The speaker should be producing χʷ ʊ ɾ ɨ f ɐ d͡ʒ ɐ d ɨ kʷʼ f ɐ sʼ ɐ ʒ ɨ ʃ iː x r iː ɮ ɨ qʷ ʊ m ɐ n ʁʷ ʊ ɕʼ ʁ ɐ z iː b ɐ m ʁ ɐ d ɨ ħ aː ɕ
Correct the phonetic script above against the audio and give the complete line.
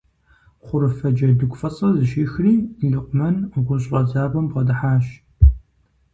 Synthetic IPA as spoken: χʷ ʊ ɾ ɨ f ɐ d͡ʒ ɐ d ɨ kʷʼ f ɐ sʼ ɐ z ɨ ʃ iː x r iː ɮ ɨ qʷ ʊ m ɐ n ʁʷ ʊ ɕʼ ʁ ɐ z aː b ɐ m ʁ ɐ d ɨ ħ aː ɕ